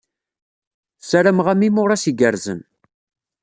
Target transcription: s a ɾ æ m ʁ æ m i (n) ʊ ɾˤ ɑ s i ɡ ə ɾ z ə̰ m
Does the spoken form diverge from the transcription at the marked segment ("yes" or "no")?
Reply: yes